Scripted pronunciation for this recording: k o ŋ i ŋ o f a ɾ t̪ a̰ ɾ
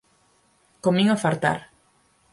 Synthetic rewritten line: k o m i ŋ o f a ɾ t̪ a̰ ɾ

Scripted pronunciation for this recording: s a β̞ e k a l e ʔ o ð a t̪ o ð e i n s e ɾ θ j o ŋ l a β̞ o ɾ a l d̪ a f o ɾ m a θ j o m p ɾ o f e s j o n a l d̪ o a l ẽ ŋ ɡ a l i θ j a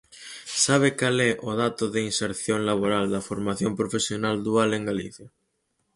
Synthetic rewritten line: s a β̞ e k a l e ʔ o ð a t̪ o ð e i n s e ɾ θ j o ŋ l a β̞ o ɾ a l d̪ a f o ɾ m a θ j o m p ɾ o f e s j o n a l d̪ u a l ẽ ŋ ɡ a l i θ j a

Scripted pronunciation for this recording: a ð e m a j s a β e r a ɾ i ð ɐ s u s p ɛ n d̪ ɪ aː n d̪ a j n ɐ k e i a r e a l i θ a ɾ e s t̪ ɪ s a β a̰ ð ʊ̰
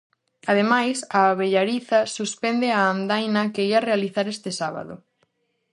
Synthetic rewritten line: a ð e m a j s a β e ʎ a ɾ i θ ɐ s u s p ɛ n d̪ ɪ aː n d̪ a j n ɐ k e i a r e a l i θ a ɾ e s t̪ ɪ s a β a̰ ð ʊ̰

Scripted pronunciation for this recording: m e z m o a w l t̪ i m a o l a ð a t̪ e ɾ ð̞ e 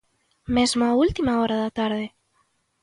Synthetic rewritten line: m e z m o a u l t̪ i m a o ɾ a ð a t̪ a ɾ ð̞ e

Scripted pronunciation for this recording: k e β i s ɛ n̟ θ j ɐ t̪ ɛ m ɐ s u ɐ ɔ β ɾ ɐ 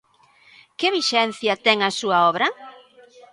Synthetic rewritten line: k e β i ʃ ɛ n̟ θ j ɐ t̪ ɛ ŋ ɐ s u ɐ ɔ β ɾ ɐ

